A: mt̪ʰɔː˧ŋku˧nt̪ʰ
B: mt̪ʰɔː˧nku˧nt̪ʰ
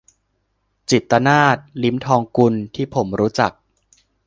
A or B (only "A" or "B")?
A